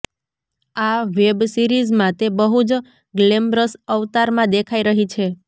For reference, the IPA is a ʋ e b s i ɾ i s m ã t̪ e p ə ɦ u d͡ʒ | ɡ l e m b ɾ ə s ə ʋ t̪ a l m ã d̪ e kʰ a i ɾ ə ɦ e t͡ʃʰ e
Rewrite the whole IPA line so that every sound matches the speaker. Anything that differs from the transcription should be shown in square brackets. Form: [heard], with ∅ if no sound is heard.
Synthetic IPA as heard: a ʋ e b s i ɾ i [z] m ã t̪ e [b] ə ɦ u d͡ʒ | ɡ l e m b ɾ ə s ə ʋ t̪ a [ɾ] m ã d̪ e kʰ a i ɾ ə ɦ [i] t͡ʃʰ e